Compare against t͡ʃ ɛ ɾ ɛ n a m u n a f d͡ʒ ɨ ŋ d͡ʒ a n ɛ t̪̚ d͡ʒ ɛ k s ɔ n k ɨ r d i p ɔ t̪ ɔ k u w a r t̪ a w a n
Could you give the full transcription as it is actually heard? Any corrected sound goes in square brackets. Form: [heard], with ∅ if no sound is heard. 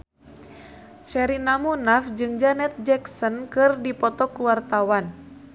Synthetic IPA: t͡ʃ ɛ ɾ [i] n a m u n a f d͡ʒ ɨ ŋ d͡ʒ a n ɛ t̪̚ d͡ʒ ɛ k s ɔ n k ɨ r d i p ɔ t̪ ɔ k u w a r t̪ a w a n

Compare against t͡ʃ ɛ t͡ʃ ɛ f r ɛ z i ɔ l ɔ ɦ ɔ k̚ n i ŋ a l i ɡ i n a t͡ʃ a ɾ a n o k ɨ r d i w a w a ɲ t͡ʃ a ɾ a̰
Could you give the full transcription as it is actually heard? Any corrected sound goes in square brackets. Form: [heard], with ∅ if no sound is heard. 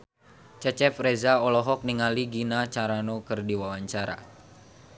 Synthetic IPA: t͡ʃ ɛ t͡ʃ ɛ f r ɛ z [a] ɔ l ɔ ɦ ɔ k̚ n i ŋ a l i ɡ i n a t͡ʃ a ɾ a n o k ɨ r d i w a w a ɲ t͡ʃ a ɾ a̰

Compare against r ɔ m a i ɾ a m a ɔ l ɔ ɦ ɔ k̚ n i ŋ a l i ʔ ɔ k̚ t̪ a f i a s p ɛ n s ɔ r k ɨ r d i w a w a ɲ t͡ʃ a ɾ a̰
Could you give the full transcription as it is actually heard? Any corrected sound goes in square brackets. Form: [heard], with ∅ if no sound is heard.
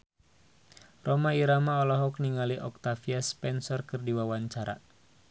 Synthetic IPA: r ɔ m a i ɾ a m a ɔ l ɔ ɦ ɔ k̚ n i ŋ a l i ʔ ɔ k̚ t̪ a f i a s p ɛ n s ɔ r k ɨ r d i w a w a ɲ t͡ʃ a ɾ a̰

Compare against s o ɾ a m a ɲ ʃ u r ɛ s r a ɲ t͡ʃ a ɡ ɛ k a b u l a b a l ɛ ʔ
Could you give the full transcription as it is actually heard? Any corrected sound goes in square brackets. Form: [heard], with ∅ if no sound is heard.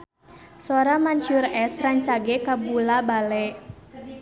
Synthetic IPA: s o ɾ a m a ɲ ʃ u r ɛ s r a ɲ t͡ʃ a ɡ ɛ k a b u l a b a l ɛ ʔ

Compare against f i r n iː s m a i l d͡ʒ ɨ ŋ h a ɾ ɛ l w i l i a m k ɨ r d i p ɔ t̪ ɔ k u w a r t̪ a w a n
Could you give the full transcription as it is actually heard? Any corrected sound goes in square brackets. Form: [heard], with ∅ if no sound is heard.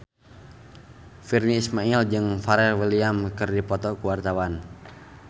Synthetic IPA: f i r n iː s m a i l d͡ʒ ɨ ŋ [f] a ɾ ɛ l w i l i a m k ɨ r d i p ɔ t̪ ɔ k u w a r t̪ a w a n

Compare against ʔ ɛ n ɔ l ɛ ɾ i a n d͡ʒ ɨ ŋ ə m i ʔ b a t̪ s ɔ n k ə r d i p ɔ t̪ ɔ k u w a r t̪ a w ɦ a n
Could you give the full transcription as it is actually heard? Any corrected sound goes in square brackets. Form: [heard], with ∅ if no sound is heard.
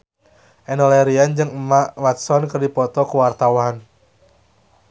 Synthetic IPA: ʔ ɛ n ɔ l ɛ ɾ i a n d͡ʒ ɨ ŋ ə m [a] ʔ [w] a t̪ s ɔ n k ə r d i p ɔ t̪ ɔ k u w a r t̪ a w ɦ a n

